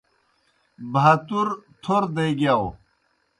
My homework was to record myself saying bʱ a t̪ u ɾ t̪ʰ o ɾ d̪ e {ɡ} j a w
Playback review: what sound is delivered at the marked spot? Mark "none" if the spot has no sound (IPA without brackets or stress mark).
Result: ɡ